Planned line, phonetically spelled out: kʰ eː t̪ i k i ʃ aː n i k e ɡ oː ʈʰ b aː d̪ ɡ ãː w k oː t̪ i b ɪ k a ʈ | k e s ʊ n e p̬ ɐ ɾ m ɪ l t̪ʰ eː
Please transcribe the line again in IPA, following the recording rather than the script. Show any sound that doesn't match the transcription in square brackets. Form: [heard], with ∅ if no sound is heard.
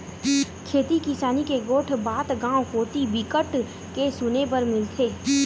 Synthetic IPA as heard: kʰ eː t̪ i k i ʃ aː n i k e ɡ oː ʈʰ b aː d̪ ɡ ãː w k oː t̪ i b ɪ k [ə] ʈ | k e s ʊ n e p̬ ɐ ɾ m ɪ l t̪ʰ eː